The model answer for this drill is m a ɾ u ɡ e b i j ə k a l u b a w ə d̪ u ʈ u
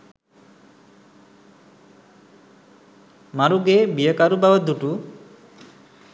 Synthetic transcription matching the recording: m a ɾ u ɡ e b i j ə k a ɾ u b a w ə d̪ u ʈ u

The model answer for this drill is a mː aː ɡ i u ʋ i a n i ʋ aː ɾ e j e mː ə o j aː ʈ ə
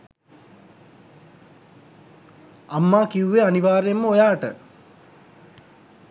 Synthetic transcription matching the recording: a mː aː k i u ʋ e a n i ʋ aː ɾ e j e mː ə o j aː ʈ ə

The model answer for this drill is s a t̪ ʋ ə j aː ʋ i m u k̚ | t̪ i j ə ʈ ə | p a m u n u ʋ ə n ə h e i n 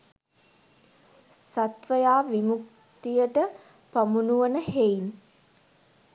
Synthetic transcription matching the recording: s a t̪ ʋ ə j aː ʋ i m u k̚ | t̪ i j ə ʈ ə | p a m u n u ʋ ə n ə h e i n

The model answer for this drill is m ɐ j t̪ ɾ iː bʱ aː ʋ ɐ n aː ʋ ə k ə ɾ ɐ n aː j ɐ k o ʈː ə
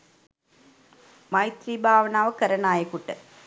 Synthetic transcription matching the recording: m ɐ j t̪ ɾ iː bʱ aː ʋ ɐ n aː ʋ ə k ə ɾ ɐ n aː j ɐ k u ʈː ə

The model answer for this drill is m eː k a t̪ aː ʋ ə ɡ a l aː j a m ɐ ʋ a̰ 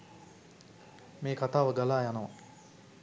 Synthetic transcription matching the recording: m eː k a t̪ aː ʋ ə ɡ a l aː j a n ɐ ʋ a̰

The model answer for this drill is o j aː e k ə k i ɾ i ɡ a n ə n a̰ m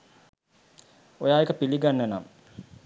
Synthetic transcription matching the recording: o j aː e k ə p i l i ɡ a nː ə n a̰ m

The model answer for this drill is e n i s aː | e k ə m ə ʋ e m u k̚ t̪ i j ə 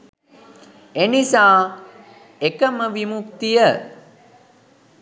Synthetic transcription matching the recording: e n i s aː | e k ə m ə ʋ i m u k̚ t̪ i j ə

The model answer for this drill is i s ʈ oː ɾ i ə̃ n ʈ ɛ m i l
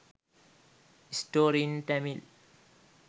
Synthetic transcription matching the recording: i s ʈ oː ɾ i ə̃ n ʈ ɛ m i l

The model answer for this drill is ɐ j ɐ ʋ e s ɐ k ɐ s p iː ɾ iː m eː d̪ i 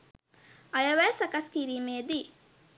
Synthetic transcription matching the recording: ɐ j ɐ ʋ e s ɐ k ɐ s k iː ɾ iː m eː d̪ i

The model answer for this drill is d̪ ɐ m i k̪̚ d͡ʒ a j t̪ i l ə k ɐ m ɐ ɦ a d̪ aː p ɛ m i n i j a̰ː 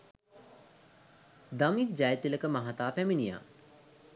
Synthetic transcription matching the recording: d̪ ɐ m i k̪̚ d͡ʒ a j t̪ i l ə k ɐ m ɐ ɦ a t̪ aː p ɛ m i n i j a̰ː

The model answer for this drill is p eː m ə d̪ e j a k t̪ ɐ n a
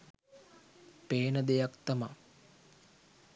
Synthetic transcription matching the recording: p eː n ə d̪ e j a k t̪ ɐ m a

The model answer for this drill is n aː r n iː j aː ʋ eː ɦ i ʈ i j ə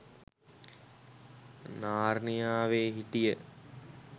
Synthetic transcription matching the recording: n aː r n i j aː ʋ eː ɦ i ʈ i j ə

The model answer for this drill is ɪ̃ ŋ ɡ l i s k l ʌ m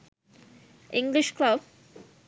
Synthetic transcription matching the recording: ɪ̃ ŋ ɡ l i ʃ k l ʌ b

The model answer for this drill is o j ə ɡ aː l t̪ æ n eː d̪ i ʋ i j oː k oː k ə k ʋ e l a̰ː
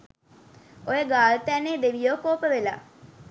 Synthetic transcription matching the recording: o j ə ɡ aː l t̪ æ n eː d̪ e ʋ i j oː k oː p ə ʋ e l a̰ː

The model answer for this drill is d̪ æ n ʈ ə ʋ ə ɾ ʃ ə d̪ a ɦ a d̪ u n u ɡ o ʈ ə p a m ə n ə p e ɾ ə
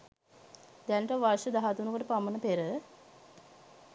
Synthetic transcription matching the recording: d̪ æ n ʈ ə ʋ a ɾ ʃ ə d̪ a ɦ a t̪ u n u k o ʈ ə p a m ə n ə p e ɾ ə

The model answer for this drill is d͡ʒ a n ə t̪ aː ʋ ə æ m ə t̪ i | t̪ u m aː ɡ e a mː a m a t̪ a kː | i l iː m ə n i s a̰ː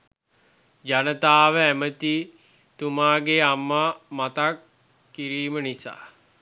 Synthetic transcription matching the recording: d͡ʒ a n ə t̪ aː ʋ ə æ m ə t̪ i | t̪ u m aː ɡ e a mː a m a t̪ a kː | i ɾ iː m ə n i s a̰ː

